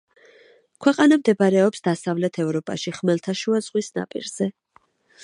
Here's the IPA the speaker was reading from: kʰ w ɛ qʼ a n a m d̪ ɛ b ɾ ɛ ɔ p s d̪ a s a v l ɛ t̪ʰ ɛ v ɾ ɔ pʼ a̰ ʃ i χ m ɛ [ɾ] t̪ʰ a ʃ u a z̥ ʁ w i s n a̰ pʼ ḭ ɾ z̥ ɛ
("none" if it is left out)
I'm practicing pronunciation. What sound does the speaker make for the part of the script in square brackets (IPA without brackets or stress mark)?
l